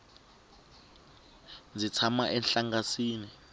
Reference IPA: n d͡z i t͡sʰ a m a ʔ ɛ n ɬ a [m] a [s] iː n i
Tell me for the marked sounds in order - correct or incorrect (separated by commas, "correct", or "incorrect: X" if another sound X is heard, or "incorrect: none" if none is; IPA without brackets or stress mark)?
incorrect: ŋ, correct